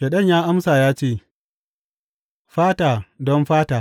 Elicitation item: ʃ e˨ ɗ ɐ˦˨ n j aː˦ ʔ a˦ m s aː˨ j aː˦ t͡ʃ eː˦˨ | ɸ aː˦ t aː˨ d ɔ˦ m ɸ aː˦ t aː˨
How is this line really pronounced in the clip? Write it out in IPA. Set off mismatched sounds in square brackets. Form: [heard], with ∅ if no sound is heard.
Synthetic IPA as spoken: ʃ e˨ ɗ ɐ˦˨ [ɲ] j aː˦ ʔ a˦ m s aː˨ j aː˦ t͡ʃ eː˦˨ | ɸ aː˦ t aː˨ d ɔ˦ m ɸ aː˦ t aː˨

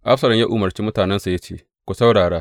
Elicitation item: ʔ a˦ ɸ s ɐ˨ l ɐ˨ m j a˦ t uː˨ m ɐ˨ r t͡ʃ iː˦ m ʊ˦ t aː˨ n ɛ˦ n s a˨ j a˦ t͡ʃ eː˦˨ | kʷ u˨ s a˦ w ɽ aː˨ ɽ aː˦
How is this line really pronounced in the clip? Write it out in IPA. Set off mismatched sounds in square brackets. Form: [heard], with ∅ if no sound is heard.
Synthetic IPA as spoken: ʔ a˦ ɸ s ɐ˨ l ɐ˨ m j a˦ [ʔ] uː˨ m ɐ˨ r t͡ʃ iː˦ m ʊ˦ t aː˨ n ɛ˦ n s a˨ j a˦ t͡ʃ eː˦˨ | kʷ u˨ s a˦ w ɽ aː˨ ɽ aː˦

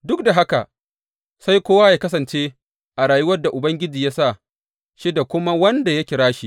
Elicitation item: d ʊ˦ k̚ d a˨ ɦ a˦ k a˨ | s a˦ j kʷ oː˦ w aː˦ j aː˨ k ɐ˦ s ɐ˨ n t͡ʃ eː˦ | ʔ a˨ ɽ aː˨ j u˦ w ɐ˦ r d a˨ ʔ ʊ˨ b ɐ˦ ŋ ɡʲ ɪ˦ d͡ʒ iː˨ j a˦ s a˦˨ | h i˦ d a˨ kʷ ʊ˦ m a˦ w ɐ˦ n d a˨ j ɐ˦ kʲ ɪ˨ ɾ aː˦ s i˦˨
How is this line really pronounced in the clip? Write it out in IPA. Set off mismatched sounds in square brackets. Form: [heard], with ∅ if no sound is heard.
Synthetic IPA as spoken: d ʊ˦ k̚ d a˨ ɦ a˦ k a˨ | s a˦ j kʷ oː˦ w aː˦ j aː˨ k ɐ˦ s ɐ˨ n t͡ʃ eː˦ | ʔ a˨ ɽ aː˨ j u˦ w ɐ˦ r d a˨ ʔ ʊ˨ b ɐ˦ ŋ ɡʲ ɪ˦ d͡ʒ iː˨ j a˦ s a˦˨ | [ʃ] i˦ d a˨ kʷ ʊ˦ m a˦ w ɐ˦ n d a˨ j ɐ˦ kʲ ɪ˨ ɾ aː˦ [ʃ] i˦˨

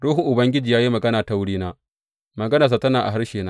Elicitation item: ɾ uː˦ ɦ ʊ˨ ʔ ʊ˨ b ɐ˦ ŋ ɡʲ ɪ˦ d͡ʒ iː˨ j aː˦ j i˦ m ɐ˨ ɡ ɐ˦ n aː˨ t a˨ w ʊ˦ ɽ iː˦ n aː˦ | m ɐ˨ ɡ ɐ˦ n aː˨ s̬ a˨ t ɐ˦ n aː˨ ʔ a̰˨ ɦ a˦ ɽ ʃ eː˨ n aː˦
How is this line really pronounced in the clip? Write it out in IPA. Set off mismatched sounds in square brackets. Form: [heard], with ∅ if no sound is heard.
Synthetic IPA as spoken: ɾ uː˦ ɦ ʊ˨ ʔ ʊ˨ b ɐ˦ ŋ ɡʲ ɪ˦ d͡ʒ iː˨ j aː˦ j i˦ m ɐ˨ ɡ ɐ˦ n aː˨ t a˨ w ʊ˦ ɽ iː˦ n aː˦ | m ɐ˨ ɡ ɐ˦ n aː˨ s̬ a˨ t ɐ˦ n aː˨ ʔ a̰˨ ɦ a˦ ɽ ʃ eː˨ n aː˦

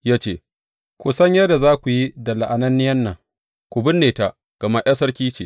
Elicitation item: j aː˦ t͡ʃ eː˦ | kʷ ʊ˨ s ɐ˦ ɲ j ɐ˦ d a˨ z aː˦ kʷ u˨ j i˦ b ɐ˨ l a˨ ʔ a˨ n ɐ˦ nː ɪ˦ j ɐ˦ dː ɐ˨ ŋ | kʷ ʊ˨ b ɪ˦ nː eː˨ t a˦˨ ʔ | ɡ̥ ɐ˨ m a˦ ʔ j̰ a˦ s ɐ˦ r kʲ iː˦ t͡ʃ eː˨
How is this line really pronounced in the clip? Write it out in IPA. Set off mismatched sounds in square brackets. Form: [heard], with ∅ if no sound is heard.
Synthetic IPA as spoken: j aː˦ t͡ʃ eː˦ | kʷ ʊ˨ s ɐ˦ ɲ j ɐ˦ d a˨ z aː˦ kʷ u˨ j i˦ [d] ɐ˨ l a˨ ʔ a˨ n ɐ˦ nː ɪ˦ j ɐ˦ [nː] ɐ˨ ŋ | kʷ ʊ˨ b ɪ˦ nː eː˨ t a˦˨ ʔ | ɡ̥ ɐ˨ m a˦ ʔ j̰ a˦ s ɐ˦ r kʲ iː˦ t͡ʃ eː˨

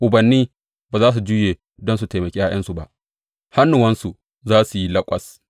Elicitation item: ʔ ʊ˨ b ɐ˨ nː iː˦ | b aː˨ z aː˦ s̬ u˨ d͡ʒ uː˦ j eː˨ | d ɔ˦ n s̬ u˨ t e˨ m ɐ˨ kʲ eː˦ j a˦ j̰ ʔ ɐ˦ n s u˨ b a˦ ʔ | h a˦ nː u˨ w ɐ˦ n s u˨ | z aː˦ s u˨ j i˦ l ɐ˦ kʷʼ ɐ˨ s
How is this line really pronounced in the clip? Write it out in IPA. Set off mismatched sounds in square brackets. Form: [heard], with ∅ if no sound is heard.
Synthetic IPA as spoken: ʔ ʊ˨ b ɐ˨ nː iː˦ | b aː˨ z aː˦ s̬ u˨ d͡ʒ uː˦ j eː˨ | d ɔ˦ n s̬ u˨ t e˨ m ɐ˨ kʲ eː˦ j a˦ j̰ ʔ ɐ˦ n s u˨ b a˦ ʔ | h a˦ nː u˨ w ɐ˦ n s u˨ | z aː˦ s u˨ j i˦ l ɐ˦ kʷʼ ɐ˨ s

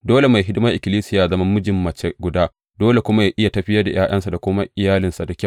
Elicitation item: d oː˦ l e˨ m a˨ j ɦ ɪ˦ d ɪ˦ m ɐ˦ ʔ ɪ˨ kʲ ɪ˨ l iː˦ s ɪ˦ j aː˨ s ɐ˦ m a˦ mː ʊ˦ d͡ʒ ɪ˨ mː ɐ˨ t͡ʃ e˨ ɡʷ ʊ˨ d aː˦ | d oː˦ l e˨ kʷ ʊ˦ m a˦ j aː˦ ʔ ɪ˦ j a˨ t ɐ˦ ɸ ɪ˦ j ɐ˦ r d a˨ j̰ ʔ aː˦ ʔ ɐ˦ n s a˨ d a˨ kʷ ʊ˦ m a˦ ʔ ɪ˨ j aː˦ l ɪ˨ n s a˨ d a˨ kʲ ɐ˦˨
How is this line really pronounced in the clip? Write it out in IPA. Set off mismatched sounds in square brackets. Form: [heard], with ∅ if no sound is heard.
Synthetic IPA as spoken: d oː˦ l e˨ m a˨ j ɦ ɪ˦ d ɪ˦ m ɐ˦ ʔ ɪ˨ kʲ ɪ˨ l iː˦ s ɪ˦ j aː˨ [z] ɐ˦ m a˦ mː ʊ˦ d͡ʒ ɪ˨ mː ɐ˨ t͡ʃ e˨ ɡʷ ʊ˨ d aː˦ | d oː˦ l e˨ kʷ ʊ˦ m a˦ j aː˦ ʔ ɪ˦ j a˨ t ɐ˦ ɸ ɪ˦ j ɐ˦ r d a˨ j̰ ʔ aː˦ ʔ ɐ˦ n s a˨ d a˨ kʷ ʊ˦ m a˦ ʔ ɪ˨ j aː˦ l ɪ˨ n s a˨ d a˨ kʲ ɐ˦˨

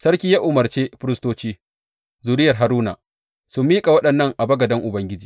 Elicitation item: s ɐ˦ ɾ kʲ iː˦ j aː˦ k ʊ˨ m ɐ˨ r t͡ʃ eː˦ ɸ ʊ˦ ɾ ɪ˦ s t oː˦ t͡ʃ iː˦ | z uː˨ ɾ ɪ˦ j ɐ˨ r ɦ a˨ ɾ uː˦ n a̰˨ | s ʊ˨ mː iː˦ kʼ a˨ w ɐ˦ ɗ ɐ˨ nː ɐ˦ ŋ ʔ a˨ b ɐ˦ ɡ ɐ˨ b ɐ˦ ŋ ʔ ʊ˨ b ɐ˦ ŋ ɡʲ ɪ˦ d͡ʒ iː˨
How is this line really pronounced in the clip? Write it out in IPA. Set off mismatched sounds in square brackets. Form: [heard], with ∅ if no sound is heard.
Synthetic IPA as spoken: s ɐ˦ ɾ kʲ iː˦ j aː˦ [ʔ] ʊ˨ m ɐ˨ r t͡ʃ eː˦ ɸ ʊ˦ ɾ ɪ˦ s t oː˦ t͡ʃ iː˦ | z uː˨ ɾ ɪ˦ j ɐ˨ r ɦ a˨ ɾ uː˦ n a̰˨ | s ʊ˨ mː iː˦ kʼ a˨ w ɐ˦ ɗ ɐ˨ nː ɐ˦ ŋ ʔ a˨ b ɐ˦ ɡ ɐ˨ [d] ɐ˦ ŋ ʔ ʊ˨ b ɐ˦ ŋ ɡʲ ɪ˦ d͡ʒ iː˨

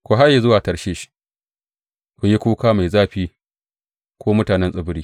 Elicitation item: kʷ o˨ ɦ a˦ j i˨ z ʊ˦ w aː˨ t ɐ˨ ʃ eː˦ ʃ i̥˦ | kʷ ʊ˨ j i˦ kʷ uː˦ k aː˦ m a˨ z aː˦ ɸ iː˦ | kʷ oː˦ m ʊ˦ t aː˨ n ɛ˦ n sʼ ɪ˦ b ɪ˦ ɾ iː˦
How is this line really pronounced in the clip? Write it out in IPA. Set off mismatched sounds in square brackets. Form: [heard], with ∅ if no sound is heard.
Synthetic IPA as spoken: kʷ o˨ ɦ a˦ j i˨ z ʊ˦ w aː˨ t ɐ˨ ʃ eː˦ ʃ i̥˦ | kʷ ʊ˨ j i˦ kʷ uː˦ k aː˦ m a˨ z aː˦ ɸ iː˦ | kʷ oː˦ m ʊ˦ t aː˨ n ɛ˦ n sʼ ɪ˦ b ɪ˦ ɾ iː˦

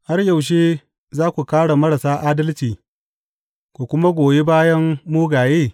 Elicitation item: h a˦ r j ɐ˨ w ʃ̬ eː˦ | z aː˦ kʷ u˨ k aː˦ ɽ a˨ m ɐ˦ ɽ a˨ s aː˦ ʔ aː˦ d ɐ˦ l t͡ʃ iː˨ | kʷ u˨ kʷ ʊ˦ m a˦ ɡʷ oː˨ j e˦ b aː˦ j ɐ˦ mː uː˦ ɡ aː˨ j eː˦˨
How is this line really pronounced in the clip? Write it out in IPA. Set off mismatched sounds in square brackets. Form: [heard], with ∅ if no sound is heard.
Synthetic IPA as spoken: h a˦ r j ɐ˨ w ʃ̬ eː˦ | z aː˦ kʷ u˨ k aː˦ ɽ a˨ m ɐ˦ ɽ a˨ s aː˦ ʔ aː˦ d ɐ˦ l t͡ʃ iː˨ | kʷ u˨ kʷ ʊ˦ m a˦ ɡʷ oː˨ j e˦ b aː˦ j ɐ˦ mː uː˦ ɡ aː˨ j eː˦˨

